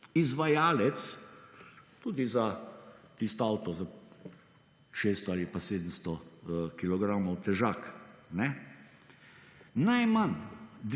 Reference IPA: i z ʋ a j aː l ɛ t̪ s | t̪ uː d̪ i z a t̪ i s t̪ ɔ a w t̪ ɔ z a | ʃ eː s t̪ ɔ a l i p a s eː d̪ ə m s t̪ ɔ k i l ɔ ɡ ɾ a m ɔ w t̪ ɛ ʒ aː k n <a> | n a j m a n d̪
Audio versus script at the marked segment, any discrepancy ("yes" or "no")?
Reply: yes